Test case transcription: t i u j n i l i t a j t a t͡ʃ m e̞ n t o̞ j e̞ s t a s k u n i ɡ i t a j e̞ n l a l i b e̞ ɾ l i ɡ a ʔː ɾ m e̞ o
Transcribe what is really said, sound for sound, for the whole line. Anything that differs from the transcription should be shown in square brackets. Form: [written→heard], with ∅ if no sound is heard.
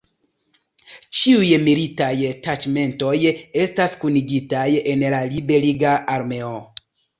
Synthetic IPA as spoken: [t→t͡ʃ] i u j [n→m] i l i t a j t a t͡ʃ m e̞ n t o̞ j e̞ s t a s k u n i ɡ i t a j e̞ n l a l i b e̞ [ɾ→∅] l i ɡ a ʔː ɾ m e̞ o